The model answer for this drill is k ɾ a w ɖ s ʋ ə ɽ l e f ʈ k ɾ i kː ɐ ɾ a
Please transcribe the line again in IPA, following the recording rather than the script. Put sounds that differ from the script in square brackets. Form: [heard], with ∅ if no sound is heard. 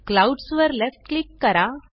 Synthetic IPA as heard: k [l] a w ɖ s ʋ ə [ɾ] l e f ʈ k [l] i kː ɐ ɾ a

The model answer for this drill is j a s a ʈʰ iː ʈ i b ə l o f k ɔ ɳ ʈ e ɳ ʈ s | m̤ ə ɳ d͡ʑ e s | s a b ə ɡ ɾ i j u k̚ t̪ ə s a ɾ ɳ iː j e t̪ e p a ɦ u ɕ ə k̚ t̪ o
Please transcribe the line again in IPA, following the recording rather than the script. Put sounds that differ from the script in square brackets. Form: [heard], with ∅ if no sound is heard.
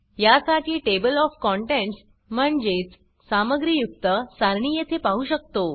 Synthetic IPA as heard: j a s a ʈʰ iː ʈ [e] b ə l [ɔ] f k ɔ ɳ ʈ e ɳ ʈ s | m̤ ə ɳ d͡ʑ e [t͡s] | s a [m] ə ɡ ɾ i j u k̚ t̪ ə s a ɾ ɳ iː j e [t̪ʰ] e p a ɦ u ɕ ə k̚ t̪ o

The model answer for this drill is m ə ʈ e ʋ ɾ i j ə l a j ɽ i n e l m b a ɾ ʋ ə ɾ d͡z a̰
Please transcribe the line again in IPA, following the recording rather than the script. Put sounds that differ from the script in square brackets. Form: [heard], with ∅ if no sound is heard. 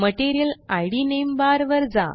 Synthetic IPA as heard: m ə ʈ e [∅] ɾ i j ə l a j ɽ i n e [∅] m b a ɾ ʋ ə ɾ d͡z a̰

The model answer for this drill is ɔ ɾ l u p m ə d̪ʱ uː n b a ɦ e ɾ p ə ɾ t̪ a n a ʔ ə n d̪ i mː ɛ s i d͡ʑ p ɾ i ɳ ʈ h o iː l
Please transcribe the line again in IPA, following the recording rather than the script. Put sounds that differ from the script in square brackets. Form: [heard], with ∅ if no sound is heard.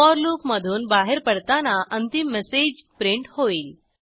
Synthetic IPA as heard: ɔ ɾ l u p m ə d̪ʱ uː n b a ɦ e ɾ p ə [ɽ] t̪ a n a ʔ ə n [t̪] i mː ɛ s [e] d͡ʑ p ɾ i ɳ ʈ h o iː l

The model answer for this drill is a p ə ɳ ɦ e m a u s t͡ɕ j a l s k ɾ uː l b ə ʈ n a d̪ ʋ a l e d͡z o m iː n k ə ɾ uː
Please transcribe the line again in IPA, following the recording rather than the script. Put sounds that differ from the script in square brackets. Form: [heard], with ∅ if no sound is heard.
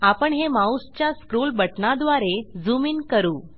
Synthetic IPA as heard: a p ə ɳ ɦ e m a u s t͡ɕ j a [∅] s k ɾ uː l b ə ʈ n a d̪ ʋ a [ɾ] e d͡z [u] m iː n k ə ɾ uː

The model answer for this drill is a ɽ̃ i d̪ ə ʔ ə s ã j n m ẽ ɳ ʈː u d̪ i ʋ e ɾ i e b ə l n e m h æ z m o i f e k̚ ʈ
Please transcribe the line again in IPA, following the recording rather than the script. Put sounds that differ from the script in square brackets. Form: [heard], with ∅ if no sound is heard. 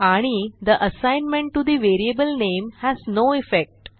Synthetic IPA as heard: a ɽ̃ i d̪ ə ʔ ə s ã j n m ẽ ɳ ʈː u d̪ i ʋ e ɾ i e b ə l n e m h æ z [n] o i f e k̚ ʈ

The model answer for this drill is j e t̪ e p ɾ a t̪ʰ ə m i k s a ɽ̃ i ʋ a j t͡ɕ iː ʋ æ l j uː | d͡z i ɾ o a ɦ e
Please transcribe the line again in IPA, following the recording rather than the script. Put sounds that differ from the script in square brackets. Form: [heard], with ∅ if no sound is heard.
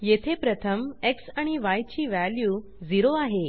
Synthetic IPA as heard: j e [t̪ʰ] e p ɾ [ə] t̪ʰ ə m [e] k s a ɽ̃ i ʋ a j t͡ɕ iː ʋ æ l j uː | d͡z i ɾ o a ɦ e

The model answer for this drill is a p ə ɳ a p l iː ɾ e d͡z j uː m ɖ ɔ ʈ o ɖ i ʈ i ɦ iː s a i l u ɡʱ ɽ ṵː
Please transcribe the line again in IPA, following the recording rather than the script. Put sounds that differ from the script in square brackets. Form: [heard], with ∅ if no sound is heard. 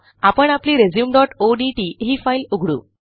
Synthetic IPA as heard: a p ə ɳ a p l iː ɾ e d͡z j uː m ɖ ɔ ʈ o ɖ i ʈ i ɦ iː [f] a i l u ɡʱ ɽ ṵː

